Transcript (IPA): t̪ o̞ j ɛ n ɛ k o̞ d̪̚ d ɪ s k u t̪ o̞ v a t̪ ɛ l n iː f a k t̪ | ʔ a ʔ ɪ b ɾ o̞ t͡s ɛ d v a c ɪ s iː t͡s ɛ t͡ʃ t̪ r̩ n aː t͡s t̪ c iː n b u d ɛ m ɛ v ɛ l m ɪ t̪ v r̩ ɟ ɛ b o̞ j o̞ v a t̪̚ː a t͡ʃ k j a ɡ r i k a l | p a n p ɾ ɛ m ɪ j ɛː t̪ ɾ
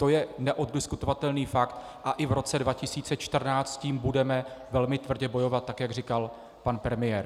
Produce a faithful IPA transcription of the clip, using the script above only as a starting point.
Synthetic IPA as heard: t̪ o̞ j ɛ n ɛ ʔ o̞ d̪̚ d ɪ s k u t̪ o̞ v a t̪ ɛ l n iː f a k t̪ | ʔ a ʔ ɪ v ɾ o̞ t͡s ɛ d v a c ɪ s iː t͡s ɛ t͡ʃ t̪ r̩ n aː t͡s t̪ c iː m b u d ɛ m ɛ v ɛ l m ɪ t̪ v r̩ ɟ ɛ b o̞ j o̞ v a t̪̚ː a k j a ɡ r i k a l | p a n p ɾ ɛ m ɪ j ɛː ɾ